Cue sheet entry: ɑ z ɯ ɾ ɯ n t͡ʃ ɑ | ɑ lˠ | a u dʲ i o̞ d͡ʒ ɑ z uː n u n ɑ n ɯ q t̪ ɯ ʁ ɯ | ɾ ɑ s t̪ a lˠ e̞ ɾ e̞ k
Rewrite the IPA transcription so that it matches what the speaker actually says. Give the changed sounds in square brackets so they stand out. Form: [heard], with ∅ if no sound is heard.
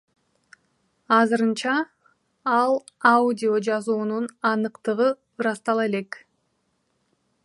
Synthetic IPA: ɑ z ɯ ɾ ɯ n t͡ʃ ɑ | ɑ lˠ | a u dʲ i o̞ d͡ʒ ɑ z uː n u n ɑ n ɯ q t̪ ɯ ʁ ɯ | ɾ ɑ s t̪ [ɑ] lˠ e̞ [l] e̞ k